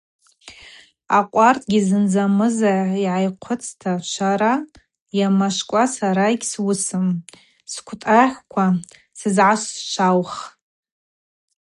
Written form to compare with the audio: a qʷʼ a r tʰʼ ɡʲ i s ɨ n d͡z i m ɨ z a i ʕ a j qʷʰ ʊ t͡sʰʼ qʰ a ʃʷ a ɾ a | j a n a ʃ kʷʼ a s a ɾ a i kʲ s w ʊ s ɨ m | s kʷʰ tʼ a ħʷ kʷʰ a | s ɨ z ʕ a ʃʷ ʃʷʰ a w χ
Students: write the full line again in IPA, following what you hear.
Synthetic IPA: a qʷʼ a r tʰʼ ɡʲ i z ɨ n d͡z a m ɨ z a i ʕ a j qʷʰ ʊ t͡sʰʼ tʰ a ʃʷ a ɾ a | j a m a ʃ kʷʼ a s a ɾ a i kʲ s w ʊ s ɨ m | s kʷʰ tʼ a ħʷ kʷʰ a | s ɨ z ʕ a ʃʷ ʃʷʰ a w χ